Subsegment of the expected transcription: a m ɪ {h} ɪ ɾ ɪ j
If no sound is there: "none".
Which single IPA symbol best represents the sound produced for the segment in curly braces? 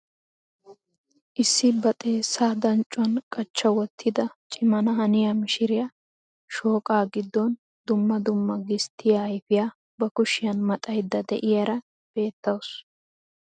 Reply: ʃ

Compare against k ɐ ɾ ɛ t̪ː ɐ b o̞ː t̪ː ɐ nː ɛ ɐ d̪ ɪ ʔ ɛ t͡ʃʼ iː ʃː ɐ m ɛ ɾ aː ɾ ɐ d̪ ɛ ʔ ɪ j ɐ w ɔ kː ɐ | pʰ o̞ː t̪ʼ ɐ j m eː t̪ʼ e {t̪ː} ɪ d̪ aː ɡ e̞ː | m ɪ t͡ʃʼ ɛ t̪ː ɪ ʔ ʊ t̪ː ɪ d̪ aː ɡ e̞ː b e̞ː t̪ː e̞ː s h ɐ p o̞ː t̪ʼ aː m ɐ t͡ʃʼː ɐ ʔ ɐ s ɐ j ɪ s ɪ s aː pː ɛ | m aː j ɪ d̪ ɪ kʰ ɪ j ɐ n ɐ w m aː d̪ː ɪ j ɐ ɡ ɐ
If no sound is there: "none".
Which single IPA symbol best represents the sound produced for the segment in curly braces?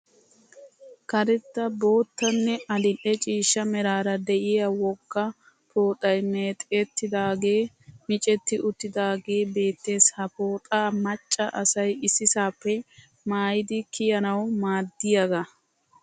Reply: t̪ː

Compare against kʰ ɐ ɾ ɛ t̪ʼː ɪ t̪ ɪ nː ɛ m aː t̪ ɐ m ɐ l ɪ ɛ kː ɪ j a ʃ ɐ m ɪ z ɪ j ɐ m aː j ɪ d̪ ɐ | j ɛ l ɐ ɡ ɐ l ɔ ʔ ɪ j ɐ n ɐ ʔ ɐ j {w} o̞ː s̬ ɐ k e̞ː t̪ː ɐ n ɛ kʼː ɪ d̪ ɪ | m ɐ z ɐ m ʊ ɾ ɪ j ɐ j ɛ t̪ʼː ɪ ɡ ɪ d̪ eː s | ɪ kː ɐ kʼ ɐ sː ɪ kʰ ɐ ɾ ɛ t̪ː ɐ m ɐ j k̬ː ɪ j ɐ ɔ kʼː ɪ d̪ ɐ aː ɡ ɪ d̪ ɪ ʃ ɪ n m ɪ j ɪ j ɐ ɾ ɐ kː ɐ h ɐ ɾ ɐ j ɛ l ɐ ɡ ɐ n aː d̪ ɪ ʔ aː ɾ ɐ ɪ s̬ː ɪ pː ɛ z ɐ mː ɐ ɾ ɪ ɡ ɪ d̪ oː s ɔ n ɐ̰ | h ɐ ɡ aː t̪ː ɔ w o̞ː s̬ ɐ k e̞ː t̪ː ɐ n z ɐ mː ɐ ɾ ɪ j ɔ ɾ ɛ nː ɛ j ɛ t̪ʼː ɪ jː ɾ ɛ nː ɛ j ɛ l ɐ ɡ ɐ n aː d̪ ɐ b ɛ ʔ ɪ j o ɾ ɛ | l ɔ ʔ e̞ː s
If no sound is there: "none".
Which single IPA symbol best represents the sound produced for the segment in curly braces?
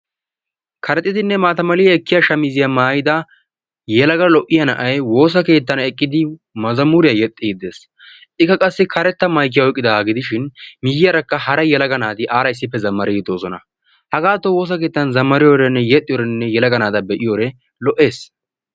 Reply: w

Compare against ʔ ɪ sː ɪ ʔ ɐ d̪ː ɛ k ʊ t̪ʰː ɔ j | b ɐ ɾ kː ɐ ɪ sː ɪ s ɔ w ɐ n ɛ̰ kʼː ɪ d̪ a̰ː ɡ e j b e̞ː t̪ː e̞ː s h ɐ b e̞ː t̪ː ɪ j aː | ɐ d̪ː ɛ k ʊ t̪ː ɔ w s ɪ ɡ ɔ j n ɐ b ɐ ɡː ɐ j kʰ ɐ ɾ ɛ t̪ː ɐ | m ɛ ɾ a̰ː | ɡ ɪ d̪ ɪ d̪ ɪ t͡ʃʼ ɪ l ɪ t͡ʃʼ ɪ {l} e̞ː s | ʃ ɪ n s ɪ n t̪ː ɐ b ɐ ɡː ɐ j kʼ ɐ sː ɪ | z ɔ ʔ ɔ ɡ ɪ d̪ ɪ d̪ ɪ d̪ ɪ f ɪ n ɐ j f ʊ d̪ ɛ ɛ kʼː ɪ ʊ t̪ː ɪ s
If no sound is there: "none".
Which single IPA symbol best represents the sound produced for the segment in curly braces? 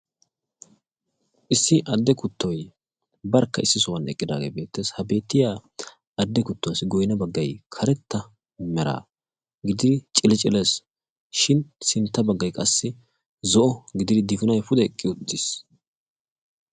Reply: l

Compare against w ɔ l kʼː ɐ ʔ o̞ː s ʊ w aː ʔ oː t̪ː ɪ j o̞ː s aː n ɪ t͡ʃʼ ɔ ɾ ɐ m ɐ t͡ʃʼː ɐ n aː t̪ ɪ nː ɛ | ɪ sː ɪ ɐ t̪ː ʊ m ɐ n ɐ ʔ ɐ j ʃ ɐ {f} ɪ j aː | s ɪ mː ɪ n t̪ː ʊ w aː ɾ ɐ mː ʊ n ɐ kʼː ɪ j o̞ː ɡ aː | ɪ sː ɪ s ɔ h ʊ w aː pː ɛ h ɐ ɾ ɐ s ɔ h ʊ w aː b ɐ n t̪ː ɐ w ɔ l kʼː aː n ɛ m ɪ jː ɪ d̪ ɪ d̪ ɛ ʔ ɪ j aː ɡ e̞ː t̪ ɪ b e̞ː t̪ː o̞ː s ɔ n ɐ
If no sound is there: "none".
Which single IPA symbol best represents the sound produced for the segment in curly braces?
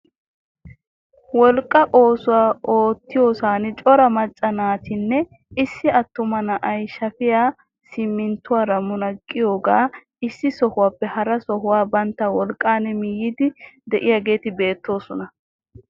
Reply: f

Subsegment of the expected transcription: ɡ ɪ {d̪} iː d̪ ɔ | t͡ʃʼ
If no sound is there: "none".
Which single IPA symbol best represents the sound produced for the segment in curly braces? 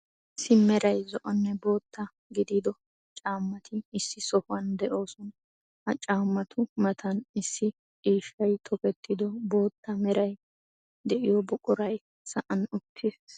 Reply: d̪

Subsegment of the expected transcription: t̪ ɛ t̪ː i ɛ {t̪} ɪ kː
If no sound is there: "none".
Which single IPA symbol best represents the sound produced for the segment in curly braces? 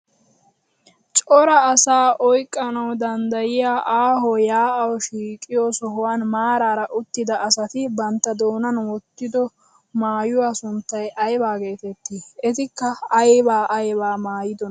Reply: t̪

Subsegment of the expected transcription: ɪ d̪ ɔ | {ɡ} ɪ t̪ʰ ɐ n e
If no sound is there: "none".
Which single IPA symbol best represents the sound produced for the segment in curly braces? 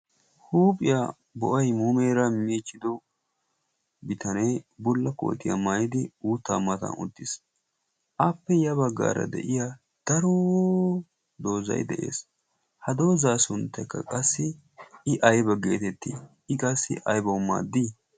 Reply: b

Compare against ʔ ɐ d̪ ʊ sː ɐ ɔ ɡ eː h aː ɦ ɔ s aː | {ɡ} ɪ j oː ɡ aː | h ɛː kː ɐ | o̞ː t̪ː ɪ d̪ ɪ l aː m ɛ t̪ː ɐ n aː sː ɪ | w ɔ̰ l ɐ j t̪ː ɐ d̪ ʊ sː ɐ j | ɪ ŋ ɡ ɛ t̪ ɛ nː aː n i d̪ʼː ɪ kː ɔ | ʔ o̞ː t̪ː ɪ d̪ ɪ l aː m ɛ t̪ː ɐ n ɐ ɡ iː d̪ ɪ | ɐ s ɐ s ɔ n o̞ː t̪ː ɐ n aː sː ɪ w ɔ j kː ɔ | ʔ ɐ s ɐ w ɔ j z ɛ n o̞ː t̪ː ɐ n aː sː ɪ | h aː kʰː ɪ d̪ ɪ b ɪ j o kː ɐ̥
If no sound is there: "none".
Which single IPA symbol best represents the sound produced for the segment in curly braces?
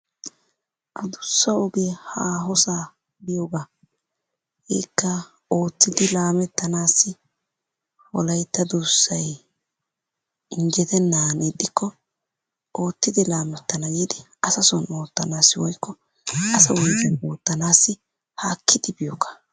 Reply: b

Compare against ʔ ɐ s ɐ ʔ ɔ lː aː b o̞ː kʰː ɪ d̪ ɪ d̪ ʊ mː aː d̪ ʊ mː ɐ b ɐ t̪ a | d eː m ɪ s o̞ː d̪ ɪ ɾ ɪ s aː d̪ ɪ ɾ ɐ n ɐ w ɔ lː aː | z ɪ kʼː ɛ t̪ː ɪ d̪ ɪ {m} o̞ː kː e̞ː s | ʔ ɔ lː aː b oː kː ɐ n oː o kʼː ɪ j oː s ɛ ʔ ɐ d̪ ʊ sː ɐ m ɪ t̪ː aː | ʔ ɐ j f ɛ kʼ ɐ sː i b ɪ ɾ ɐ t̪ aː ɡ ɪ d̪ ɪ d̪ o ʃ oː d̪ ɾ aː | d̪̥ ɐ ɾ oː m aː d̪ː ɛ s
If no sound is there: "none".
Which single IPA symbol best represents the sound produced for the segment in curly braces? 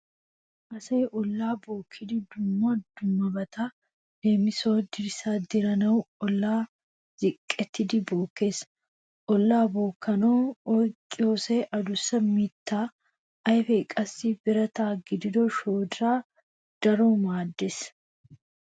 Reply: b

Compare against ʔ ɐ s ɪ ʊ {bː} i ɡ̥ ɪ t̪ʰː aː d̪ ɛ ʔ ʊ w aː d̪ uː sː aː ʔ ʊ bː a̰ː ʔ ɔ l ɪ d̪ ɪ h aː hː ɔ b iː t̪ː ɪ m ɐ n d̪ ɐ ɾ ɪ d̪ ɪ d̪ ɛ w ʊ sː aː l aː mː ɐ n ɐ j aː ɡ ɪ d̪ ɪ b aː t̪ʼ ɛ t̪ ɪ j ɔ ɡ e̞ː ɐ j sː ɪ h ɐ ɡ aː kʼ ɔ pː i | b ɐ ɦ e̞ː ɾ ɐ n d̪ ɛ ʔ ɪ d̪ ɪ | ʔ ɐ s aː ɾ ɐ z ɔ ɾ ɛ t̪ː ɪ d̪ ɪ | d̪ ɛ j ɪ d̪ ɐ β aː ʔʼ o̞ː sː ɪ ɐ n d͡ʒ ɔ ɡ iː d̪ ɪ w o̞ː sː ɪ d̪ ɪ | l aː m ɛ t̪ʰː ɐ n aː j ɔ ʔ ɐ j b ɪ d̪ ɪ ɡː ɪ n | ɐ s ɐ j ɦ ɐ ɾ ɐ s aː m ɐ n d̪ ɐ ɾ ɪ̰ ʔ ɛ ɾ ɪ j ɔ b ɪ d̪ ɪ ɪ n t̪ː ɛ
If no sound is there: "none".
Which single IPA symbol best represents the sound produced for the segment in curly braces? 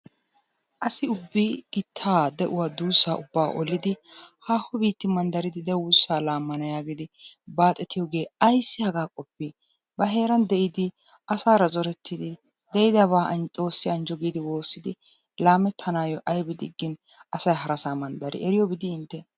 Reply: bː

